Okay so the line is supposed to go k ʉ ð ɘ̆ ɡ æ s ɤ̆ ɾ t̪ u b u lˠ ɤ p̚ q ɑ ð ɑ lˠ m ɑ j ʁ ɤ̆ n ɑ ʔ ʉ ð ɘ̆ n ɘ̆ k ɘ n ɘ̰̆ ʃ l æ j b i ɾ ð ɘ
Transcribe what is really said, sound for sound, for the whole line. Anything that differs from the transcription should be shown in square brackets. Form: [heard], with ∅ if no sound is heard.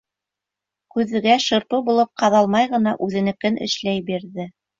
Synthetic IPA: k ʉ ð ɘ̆ ɡ æ [ʃ] ɤ̆ ɾ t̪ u b u lˠ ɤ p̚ q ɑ ð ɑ lˠ m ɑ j ʁ ɤ̆ n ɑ ʔ ʉ ð ɘ̆ n ɘ̆ k ɘ n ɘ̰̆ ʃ l æ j b i ɾ ð ɘ